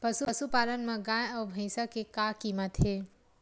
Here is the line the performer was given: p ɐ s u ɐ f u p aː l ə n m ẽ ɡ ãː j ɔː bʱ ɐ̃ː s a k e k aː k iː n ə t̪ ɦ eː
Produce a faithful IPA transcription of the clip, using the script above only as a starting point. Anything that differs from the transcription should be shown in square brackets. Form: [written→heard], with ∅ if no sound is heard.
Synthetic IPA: p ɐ s u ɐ [f→s] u p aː l ə n m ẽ ɡ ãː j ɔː bʱ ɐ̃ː s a k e k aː k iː [n→m] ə t̪ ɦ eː